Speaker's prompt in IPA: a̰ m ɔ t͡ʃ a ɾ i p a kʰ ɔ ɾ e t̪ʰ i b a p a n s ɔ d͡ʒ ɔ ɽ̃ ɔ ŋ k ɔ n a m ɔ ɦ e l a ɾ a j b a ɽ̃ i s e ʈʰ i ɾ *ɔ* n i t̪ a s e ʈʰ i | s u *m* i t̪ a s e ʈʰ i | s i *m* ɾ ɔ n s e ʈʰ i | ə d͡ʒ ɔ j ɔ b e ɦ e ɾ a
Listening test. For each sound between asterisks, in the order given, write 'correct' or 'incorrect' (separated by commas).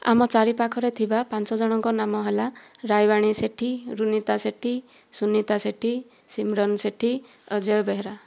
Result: incorrect, incorrect, correct